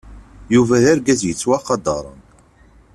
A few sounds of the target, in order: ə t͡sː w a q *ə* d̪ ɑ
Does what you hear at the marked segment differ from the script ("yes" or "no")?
yes